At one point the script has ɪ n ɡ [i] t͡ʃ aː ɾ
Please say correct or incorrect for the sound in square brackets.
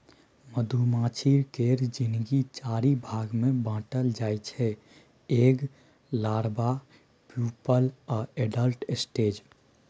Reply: correct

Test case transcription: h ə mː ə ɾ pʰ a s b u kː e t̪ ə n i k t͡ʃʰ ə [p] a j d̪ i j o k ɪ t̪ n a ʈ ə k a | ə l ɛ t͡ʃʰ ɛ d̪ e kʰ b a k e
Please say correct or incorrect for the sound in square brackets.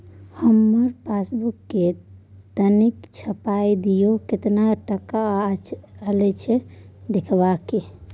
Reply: correct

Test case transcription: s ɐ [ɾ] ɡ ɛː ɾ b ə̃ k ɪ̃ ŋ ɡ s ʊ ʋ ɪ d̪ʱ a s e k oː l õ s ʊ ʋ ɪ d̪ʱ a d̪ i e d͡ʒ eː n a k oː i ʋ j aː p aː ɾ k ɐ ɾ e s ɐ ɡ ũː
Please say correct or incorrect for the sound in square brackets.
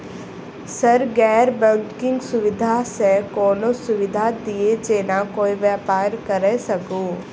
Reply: correct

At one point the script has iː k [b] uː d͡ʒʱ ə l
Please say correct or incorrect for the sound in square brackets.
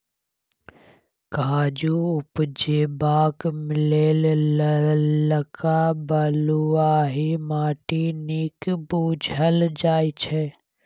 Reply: correct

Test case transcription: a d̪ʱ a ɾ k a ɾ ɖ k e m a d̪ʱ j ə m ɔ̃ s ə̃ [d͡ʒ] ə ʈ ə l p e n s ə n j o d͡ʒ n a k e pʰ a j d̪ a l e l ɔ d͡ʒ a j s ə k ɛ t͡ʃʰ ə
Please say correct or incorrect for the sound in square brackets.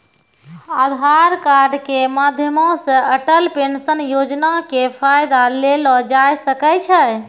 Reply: incorrect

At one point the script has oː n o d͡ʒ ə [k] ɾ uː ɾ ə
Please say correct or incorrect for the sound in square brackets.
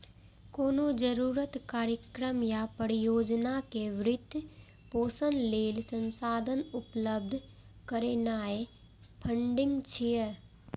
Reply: incorrect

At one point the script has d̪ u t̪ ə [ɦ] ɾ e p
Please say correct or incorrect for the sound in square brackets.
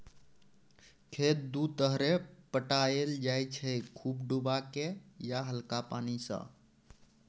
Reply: correct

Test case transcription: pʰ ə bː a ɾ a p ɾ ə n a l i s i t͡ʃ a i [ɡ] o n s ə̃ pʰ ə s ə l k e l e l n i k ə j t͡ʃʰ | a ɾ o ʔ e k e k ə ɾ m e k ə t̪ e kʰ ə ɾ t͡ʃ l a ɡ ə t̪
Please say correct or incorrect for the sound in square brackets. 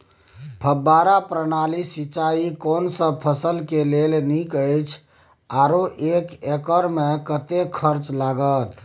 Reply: incorrect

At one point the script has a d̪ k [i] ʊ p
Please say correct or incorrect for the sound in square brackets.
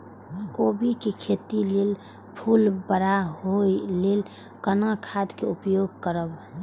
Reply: incorrect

